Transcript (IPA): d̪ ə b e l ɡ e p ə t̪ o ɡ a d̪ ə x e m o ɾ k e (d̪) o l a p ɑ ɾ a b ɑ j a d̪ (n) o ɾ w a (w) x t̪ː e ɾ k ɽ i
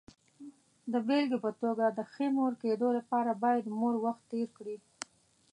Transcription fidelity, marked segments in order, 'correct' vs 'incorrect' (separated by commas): correct, incorrect, incorrect